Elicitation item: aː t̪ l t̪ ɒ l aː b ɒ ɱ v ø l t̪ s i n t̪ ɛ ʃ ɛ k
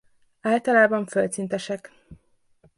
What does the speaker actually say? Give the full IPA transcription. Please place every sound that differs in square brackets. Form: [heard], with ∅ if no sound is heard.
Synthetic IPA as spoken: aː [∅] l t̪ ɒ l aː b ɒ ɱ [f] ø l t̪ s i n t̪ ɛ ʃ ɛ k